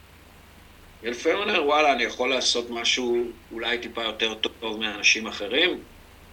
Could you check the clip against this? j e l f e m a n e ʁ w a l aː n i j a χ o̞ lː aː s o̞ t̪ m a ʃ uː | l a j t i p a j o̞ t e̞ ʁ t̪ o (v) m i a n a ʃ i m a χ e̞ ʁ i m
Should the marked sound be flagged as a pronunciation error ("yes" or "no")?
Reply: no